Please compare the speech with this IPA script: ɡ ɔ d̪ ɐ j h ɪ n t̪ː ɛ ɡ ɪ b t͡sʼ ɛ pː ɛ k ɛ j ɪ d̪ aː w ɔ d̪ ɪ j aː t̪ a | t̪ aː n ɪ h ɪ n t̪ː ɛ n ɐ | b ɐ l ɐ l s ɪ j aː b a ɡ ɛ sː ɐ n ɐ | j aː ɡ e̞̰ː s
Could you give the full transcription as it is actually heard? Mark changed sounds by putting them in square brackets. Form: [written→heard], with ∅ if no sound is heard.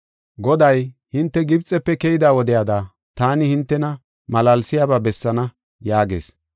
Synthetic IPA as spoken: ɡ ɔ d̪ ɐ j h ɪ n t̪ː ɛ ɡ ɪ b t͡sʼ ɛ pː ɛ k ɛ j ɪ d̪ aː w ɔ d̪ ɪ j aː [t̪→d̪] a | t̪ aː n ɪ h ɪ n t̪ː ɛ n ɐ | [b→m] ɐ l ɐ l s ɪ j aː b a [ɡ→b] ɛ sː ɐ n ɐ | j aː ɡ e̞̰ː s

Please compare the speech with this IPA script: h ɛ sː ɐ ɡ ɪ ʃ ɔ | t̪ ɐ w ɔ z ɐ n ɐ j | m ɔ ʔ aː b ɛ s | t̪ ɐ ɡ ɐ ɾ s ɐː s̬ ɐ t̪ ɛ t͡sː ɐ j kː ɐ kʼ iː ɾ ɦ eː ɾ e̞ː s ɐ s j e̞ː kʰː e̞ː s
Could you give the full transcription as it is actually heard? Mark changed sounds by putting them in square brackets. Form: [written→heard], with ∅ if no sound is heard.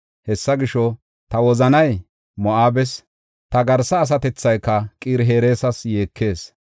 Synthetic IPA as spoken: h ɛ sː ɐ ɡ ɪ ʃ ɔ | t̪ ɐ w ɔ z ɐ n ɐ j | m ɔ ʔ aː b ɛ s | t̪ ɐ ɡ ɐ ɾ s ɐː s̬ ɐ t̪ ɛ t͡sː ɐ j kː ɐ kʼ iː ɾ ɦ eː ɾ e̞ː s ɐ s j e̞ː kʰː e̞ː s

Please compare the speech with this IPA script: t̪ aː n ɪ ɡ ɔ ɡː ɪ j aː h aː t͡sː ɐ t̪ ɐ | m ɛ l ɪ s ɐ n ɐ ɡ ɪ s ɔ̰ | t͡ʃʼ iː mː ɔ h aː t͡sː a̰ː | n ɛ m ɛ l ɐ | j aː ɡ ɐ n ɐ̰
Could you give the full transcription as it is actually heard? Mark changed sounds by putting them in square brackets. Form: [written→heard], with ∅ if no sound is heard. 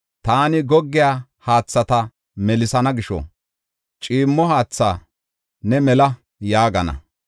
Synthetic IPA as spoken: t̪ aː n ɪ ɡ ɔ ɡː ɪ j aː h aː t͡sː ɐ t̪ ɐ | m ɛ l ɪ s ɐ n ɐ ɡ ɪ [s→ʃ] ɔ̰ | t͡ʃʼ iː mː ɔ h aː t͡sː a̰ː | n ɛ m ɛ l ɐ | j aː ɡ ɐ n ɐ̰

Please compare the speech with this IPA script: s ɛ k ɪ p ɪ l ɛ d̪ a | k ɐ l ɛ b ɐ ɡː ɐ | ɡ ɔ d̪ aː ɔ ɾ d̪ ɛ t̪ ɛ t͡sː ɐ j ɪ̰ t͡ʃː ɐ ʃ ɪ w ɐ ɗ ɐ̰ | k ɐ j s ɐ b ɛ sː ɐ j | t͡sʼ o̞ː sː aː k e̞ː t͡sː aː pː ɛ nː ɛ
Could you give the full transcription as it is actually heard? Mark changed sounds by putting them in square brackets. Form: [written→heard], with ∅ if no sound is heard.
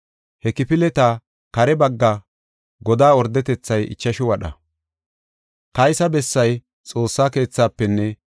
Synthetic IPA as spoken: [s→h] ɛ k ɪ p ɪ l ɛ [d̪→t̪] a | k ɐ [l→ɾ] ɛ b ɐ ɡː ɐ | ɡ ɔ d̪ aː ɔ ɾ d̪ ɛ t̪ ɛ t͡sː ɐ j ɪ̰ t͡ʃː ɐ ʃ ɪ w ɐ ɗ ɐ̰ | k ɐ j s ɐ b ɛ sː ɐ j | t͡sʼ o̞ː sː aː k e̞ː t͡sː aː pː ɛ nː ɛ

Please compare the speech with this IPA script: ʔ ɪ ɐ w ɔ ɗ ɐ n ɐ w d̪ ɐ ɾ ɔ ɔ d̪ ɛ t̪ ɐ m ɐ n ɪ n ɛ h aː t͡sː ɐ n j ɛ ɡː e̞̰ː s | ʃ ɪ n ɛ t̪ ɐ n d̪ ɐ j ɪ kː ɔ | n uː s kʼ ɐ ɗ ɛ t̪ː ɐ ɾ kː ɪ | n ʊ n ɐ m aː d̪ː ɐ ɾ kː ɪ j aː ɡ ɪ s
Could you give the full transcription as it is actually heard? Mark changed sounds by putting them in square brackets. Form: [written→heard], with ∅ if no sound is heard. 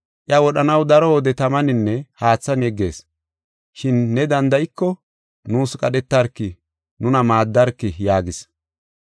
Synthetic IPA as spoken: ʔ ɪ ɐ w ɔ ɗ ɐ n ɐ w d̪ ɐ ɾ ɔ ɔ d̪ ɛ t̪ ɐ m ɐ n ɪ [n→nː] ɛ h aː t͡sː ɐ n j ɛ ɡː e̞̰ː s | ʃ ɪ [n→nː] ɛ [t̪→d̪] ɐ n d̪ ɐ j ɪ kː ɔ | n uː s kʼ ɐ ɗ ɛ t̪ː ɐ ɾ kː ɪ | n ʊ n ɐ m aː d̪ː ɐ ɾ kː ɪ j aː ɡ ɪ s

